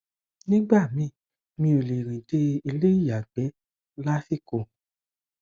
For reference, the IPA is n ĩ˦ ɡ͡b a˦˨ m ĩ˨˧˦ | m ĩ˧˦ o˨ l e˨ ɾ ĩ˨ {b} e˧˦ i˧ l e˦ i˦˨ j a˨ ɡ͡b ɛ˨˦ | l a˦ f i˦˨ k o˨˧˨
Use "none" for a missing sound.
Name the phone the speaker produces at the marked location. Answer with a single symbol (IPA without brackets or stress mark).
d